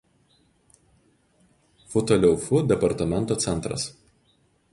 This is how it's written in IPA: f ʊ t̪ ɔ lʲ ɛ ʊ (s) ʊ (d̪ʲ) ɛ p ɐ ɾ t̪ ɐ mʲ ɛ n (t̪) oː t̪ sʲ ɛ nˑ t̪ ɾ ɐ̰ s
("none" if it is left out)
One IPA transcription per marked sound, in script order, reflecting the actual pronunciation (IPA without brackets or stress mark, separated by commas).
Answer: f, d̪ʲ, t̪